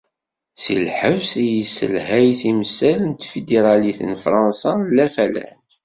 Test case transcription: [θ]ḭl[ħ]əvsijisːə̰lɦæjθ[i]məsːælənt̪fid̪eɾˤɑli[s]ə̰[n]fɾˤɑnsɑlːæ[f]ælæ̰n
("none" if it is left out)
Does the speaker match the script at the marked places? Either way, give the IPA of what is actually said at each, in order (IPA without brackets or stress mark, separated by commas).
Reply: s, ħ, i, θ, n, f